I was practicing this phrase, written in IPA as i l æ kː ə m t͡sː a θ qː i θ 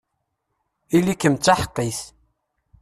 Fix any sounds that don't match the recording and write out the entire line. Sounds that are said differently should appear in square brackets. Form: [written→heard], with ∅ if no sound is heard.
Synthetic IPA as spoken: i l [æ→i] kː ə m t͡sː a [θ→ħ] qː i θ